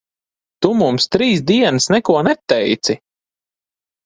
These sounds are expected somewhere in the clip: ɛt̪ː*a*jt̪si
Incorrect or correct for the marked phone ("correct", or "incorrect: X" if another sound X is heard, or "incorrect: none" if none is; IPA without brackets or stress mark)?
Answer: incorrect: ɛ